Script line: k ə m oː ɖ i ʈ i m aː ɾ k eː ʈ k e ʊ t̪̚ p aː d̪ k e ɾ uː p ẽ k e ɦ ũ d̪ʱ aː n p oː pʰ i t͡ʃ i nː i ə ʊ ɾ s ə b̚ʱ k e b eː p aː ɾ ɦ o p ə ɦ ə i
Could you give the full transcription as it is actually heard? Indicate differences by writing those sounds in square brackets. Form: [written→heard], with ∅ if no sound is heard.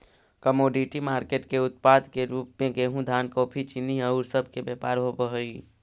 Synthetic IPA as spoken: k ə m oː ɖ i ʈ i m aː ɾ k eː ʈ k e ʊ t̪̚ p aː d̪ k e ɾ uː p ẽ k e ɦ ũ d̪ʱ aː n [p→k] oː pʰ i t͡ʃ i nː i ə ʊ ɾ s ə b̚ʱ k e b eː p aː ɾ ɦ o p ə ɦ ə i